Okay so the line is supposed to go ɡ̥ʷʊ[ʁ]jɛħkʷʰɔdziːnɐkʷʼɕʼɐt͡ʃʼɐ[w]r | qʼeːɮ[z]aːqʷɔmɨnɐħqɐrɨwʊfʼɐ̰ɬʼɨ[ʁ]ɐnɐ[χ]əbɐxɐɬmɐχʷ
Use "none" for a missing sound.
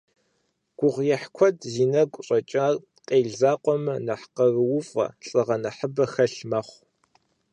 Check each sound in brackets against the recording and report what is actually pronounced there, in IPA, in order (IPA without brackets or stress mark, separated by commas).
ʁ, none, z, ʁ, ħ